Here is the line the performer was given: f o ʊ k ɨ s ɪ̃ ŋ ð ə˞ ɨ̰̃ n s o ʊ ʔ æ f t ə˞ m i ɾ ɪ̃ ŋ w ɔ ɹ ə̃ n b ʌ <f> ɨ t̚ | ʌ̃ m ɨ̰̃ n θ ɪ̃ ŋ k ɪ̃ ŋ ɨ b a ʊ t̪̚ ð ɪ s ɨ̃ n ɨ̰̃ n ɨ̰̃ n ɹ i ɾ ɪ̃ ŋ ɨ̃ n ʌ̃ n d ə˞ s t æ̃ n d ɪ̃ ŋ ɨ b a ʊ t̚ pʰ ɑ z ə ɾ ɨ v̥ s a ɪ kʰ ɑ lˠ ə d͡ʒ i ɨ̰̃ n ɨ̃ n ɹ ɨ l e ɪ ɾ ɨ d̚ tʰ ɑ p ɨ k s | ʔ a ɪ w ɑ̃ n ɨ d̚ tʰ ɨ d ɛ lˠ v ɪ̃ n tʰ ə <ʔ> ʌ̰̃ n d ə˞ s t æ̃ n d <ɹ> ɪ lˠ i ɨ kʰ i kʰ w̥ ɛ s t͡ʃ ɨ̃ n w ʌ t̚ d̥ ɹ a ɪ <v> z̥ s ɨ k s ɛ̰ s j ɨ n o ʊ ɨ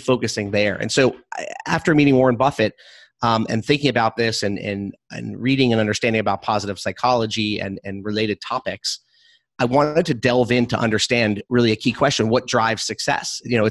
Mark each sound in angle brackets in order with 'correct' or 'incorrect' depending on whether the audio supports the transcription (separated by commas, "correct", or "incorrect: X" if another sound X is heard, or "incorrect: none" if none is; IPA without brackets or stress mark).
correct, correct, correct, correct